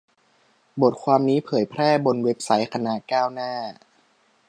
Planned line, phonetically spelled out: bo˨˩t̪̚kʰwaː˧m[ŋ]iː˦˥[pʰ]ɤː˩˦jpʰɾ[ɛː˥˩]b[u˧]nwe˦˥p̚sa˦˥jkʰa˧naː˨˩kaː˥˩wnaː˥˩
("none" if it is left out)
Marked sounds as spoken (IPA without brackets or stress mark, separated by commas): n, pʰ, ɛː˥˩, o˧